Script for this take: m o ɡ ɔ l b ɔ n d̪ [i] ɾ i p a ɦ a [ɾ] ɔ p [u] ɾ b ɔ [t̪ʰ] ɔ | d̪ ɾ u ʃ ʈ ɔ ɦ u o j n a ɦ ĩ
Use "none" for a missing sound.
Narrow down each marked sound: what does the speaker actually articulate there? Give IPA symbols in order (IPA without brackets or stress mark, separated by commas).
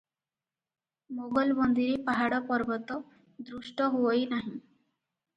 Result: i, ɽ, ɔ, t̪